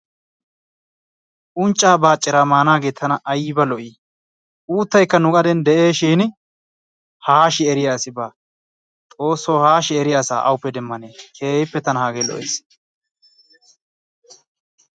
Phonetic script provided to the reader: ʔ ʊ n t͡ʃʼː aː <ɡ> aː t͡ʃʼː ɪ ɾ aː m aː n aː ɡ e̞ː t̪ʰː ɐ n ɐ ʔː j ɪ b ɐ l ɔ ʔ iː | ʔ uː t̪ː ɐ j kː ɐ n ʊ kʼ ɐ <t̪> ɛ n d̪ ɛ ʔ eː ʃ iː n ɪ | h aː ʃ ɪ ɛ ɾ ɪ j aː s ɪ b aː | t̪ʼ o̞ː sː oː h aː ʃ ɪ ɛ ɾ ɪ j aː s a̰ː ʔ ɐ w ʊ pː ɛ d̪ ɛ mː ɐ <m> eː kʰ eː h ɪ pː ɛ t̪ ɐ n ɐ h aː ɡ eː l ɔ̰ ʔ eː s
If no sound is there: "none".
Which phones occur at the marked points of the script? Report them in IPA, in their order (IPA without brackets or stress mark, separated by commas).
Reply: b, d̪, n